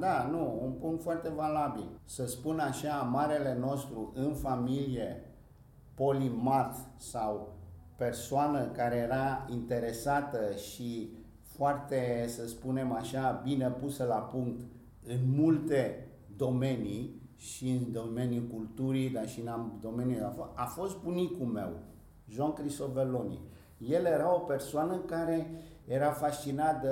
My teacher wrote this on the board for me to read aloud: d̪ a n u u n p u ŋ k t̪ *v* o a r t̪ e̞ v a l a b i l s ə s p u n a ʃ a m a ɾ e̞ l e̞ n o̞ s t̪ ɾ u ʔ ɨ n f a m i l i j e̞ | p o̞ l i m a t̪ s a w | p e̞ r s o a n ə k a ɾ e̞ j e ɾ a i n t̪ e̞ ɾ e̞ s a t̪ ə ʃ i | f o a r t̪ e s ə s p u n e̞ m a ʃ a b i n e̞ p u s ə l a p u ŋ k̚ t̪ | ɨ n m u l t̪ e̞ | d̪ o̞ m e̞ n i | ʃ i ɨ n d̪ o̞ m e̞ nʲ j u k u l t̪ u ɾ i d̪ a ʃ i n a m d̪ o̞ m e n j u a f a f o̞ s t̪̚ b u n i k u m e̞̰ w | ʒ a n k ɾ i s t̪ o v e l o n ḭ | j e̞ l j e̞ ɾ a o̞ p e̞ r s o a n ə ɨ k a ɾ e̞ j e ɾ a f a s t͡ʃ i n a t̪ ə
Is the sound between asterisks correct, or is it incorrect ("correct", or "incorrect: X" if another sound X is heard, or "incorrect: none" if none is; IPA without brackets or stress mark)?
incorrect: f